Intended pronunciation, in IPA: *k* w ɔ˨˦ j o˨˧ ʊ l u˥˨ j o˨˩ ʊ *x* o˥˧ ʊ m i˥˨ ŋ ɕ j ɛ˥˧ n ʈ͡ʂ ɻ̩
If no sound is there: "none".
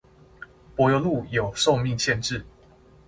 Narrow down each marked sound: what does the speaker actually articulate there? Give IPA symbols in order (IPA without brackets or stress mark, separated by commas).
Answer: p, ʂ